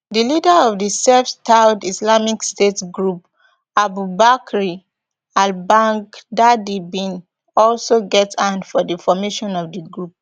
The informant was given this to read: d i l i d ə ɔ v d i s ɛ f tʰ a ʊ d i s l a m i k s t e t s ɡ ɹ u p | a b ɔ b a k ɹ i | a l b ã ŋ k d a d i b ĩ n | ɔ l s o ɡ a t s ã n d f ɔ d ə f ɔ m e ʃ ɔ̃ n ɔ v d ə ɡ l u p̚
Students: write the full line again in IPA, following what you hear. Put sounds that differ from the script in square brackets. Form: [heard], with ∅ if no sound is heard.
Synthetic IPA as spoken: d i l i d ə ɔ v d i s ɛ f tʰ a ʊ d i s l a m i k s t e t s ɡ ɹ u p | a b [u] b a k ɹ i | a l b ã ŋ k d a d i b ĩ n | ɔ l s o ɡ [ɛ] t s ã n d f ɔ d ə f ɔ m e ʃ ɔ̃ n ɔ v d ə ɡ [ɹ] u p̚